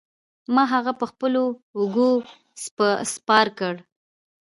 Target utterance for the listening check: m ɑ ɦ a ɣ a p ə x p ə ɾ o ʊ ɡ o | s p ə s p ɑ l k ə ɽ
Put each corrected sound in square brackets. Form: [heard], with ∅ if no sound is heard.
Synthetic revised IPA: m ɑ ɦ a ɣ a p ə x p ə [l] o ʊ ɡ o | s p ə s p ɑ [ɾ] k ə ɽ